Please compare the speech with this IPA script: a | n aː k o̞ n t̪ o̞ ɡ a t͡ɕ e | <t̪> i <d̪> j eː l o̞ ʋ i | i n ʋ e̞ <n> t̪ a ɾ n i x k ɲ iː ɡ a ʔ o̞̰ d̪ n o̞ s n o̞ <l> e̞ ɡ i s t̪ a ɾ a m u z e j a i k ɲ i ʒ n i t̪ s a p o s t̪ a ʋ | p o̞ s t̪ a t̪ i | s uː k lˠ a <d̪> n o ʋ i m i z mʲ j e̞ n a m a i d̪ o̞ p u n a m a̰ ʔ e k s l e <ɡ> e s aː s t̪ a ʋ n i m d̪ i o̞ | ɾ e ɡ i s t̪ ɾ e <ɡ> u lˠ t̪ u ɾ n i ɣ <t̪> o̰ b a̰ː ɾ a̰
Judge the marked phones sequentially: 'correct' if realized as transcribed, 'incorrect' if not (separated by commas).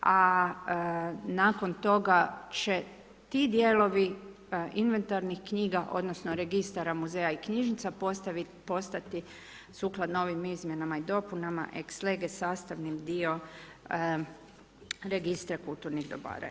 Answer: correct, correct, correct, incorrect, correct, correct, incorrect, incorrect